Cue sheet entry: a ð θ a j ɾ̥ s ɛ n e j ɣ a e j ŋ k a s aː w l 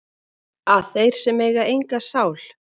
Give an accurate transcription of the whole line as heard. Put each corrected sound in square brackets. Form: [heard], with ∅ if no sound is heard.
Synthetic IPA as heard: a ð θ [e] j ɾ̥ s ɛ [m] e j ɣ a e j ŋ k a s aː w l

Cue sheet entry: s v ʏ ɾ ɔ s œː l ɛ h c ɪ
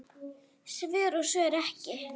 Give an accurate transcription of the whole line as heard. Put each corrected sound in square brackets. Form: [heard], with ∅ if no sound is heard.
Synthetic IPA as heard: s v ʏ ɾ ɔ s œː [ɾ] ɛ h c ɪ

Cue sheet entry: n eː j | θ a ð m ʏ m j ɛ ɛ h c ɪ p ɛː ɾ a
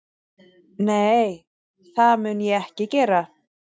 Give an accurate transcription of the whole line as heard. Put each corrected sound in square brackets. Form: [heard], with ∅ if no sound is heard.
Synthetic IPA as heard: n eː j | θ a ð m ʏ [n] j ɛ ɛ h c ɪ [c] ɛː ɾ a

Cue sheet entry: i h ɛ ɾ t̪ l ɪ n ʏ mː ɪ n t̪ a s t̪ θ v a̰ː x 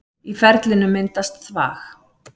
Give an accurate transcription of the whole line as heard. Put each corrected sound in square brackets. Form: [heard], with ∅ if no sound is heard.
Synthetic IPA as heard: i [f] ɛ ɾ t̪ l ɪ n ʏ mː ɪ n t̪ a s t̪ θ v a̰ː x

